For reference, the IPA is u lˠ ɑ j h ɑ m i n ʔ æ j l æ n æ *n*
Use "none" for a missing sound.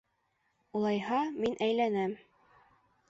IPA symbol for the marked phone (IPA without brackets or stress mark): m